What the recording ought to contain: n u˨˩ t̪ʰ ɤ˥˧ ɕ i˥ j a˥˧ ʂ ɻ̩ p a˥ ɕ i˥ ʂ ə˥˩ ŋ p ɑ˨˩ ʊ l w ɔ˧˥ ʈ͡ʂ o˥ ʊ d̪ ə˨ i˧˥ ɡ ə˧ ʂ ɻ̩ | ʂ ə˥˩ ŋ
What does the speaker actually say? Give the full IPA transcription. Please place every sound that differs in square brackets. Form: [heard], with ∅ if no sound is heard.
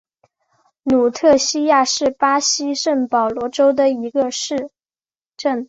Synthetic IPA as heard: n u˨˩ t̪ʰ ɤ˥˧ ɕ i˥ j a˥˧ ʂ ɻ̩ p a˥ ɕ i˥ ʂ ə˥˩ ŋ p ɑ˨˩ ʊ l w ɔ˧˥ ʈ͡ʂ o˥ ʊ d̪ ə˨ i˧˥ ɡ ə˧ ʂ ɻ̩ | [ʈ͡ʂ] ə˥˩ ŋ